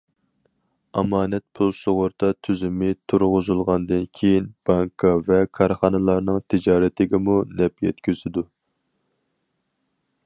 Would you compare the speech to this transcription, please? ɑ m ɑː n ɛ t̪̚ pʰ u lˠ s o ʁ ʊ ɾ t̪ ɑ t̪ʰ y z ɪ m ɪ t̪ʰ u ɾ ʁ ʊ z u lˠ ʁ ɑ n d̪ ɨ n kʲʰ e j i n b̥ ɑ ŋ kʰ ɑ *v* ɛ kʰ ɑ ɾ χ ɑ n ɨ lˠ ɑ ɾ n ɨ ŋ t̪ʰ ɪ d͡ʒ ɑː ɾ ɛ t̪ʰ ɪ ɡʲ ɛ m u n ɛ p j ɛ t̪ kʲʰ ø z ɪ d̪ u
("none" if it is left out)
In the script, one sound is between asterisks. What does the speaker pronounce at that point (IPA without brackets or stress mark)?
v